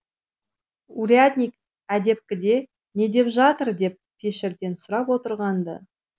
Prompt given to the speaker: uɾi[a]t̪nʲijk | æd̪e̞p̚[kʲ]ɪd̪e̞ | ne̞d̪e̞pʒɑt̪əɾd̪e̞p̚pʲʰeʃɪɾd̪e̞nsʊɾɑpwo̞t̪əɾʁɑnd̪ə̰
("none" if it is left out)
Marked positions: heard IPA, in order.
a, kʲ

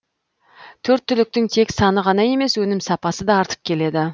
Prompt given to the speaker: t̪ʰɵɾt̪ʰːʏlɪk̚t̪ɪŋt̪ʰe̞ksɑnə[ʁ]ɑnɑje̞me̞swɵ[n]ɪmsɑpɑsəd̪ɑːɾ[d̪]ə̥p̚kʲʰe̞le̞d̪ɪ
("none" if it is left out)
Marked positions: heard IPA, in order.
ʁ, n, t̪

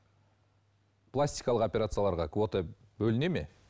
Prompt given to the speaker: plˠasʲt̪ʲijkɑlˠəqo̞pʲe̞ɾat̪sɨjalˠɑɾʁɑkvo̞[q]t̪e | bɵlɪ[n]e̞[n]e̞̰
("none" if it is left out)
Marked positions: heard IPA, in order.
none, n, m

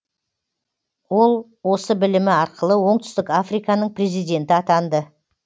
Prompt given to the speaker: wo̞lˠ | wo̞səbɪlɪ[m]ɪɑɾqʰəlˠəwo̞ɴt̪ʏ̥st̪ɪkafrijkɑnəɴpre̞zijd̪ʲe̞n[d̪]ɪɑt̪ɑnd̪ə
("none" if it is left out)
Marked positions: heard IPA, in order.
m, t̪

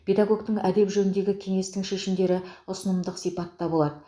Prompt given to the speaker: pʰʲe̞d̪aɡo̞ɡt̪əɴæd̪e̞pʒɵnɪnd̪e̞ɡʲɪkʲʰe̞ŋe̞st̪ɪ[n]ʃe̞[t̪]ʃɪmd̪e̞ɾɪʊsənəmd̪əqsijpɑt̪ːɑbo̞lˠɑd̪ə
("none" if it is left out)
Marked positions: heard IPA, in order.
ŋ, none

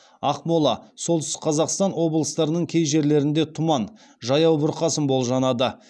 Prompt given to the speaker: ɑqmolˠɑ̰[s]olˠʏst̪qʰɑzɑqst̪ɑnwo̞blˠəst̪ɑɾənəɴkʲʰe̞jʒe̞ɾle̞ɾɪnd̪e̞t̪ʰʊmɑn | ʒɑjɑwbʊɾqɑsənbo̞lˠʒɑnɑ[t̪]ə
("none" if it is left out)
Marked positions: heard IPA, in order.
s, d̪

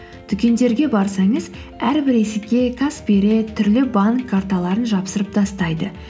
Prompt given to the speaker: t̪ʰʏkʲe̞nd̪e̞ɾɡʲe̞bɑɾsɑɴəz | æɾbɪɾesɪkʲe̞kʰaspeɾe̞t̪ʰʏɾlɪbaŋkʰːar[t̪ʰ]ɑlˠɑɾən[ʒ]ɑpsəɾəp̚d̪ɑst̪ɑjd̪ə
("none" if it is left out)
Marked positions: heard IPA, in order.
t̪, ʒ

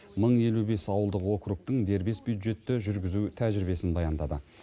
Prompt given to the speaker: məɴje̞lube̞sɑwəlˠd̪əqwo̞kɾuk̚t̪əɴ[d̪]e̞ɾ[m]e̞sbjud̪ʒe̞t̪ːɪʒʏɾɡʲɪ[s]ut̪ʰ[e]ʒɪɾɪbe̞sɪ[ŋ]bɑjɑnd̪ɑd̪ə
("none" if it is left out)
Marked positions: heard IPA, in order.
d̪, b, z, æ, n

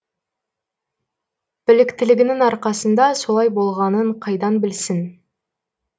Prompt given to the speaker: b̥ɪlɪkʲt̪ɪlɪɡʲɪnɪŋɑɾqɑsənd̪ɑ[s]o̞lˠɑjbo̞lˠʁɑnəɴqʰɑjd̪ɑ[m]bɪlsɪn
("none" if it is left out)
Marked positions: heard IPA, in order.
s, n

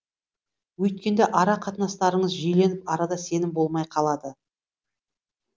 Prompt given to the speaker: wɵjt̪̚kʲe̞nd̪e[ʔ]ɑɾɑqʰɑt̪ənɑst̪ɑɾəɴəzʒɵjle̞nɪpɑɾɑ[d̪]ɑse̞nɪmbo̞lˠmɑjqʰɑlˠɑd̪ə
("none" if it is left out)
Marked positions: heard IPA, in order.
ʔ, d̪

